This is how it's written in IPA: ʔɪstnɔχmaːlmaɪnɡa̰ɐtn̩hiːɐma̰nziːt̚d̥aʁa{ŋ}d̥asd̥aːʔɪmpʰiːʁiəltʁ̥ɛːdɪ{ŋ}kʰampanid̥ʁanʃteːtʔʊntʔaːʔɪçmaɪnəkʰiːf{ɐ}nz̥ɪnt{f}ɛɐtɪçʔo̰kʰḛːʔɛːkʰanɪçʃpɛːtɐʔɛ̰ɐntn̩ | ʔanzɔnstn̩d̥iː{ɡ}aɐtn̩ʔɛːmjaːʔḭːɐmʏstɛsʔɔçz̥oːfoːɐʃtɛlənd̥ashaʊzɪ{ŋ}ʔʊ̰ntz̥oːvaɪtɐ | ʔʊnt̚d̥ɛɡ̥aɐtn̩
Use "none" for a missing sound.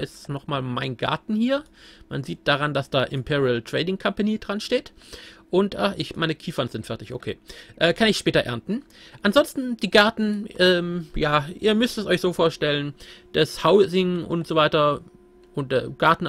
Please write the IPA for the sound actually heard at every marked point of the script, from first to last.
n, ŋ, ɐ, f, ɡ, ŋ

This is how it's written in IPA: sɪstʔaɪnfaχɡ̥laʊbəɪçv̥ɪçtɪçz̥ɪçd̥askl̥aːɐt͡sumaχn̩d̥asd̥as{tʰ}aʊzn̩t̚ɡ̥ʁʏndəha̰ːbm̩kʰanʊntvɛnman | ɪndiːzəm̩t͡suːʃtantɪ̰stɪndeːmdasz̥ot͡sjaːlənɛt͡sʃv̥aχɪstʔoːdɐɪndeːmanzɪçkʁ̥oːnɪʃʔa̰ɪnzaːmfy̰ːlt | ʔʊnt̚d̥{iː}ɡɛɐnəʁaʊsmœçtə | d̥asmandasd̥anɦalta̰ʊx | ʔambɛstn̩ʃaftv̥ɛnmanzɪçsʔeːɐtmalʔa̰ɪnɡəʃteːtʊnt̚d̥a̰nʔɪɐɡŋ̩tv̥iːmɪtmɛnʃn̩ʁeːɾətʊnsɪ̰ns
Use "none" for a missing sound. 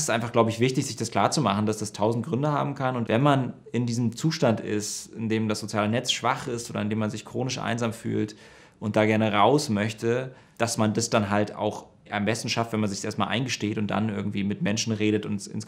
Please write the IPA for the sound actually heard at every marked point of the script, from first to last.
tʰ, aː

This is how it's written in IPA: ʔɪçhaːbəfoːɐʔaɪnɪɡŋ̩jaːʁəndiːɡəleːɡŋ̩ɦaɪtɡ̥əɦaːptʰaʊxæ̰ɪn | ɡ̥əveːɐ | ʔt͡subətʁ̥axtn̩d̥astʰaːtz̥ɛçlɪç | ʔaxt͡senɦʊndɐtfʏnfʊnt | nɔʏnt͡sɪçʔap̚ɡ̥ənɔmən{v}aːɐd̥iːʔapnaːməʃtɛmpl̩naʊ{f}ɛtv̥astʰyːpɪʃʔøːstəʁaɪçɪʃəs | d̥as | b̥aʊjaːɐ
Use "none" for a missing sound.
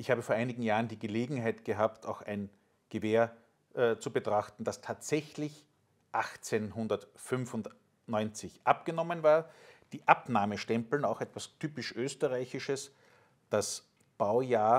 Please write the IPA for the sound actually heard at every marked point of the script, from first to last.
v, x

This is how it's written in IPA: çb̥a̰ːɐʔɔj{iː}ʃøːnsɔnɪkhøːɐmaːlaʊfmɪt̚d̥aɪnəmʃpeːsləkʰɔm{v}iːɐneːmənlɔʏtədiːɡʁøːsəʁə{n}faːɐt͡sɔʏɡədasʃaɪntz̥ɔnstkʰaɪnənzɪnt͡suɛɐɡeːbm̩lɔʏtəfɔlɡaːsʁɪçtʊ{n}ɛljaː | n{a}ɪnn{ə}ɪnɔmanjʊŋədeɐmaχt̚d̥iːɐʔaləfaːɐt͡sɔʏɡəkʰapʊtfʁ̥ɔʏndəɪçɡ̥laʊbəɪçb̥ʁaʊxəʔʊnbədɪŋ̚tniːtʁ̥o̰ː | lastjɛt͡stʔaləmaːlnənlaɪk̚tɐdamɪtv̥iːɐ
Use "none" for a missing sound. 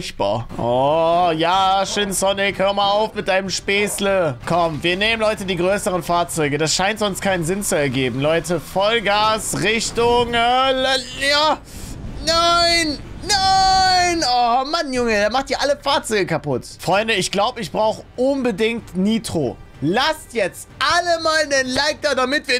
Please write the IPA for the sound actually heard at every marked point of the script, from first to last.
aː, v, n, ŋ, a, a

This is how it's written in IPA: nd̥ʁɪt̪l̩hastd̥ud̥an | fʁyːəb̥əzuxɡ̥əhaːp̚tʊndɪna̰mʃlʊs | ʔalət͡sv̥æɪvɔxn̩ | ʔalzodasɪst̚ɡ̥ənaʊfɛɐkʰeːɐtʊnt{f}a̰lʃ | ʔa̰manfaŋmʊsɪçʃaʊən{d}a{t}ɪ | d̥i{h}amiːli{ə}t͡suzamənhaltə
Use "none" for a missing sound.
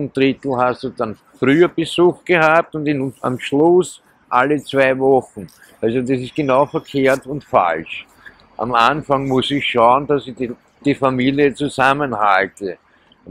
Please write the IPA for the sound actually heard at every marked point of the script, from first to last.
f, d, s, f, ə

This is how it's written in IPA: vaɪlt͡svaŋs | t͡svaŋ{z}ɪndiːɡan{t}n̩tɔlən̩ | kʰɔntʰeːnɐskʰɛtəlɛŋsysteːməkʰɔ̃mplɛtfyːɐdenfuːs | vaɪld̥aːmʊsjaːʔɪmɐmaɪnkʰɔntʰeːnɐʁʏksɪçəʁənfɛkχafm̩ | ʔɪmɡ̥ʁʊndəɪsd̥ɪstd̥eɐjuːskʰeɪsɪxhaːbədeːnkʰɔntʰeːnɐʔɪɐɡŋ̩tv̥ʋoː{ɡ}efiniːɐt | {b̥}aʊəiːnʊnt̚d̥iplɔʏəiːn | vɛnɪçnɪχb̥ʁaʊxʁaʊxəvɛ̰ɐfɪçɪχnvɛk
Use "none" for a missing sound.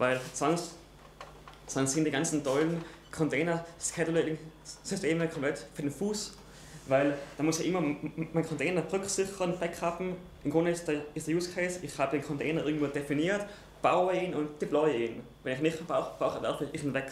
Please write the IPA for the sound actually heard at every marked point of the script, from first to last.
s, t͡s, d, b̥

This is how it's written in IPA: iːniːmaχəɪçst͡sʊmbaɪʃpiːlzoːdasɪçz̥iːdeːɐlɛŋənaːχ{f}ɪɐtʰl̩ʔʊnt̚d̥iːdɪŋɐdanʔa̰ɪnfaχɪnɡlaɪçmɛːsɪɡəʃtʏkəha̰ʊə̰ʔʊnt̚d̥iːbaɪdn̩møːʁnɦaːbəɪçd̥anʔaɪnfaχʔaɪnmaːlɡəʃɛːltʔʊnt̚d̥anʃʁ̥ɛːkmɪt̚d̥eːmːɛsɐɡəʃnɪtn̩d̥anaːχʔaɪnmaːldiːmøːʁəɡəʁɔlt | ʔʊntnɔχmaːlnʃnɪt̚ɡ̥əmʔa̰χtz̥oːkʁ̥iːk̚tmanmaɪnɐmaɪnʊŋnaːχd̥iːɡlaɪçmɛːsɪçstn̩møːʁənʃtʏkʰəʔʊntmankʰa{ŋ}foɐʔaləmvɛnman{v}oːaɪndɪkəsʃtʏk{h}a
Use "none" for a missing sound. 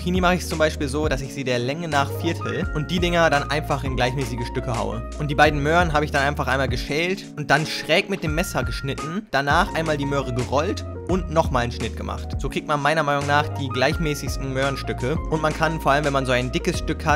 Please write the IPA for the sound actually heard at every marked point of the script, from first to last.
f, n, z, h

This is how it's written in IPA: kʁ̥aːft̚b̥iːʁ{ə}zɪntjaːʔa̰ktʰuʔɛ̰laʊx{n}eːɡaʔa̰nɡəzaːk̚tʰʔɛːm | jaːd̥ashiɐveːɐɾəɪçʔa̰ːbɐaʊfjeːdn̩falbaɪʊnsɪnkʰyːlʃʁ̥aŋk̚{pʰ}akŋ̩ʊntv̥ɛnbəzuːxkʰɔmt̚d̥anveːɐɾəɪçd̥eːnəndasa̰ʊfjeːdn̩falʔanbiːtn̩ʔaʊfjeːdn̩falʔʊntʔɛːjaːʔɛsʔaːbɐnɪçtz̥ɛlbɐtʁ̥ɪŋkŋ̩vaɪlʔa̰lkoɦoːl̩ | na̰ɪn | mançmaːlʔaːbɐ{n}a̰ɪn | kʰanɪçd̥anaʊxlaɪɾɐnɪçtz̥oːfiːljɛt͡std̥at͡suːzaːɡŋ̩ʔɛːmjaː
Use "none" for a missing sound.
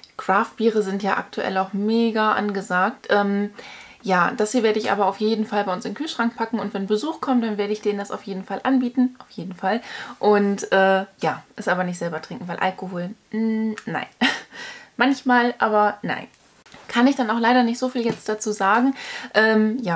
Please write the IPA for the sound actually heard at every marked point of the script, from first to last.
ə, m, pʰ, n

